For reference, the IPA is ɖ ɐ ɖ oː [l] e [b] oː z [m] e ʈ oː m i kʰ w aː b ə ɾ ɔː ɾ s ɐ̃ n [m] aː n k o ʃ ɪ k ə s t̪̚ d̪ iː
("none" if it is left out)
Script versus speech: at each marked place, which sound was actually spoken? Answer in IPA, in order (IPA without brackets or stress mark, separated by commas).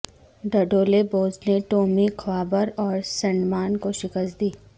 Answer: l, b, n, m